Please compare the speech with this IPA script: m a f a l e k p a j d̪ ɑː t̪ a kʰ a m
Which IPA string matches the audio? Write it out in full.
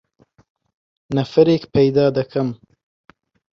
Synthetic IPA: n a f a ɾ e k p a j d̪ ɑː d̪ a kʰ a m